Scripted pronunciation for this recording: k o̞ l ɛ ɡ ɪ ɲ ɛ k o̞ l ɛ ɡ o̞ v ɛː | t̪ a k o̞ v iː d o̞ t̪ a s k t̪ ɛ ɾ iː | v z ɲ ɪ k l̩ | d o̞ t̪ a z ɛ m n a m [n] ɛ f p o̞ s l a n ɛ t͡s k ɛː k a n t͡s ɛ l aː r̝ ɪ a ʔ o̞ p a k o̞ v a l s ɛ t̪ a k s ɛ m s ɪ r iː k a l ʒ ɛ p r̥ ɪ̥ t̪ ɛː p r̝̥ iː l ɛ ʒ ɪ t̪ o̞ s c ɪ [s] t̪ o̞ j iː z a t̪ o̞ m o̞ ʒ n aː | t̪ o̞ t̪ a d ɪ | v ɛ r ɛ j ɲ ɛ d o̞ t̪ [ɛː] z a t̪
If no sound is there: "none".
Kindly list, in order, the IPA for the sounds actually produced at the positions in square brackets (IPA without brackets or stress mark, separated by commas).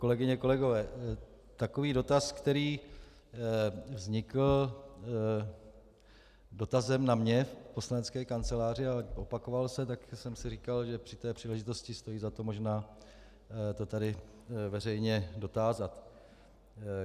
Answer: ɲ, s, aː